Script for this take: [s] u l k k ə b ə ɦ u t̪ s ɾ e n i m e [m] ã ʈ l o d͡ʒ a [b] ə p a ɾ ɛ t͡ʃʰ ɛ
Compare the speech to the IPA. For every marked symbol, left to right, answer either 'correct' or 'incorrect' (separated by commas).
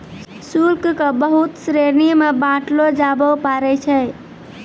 correct, incorrect, correct